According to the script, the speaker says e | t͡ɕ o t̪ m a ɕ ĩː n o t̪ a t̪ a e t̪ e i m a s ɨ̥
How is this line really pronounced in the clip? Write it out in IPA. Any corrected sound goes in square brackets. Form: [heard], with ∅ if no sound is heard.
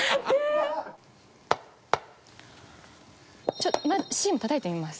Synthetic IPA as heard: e | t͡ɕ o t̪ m a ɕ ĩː [m] o t̪ a t̪ a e t̪ e i m a s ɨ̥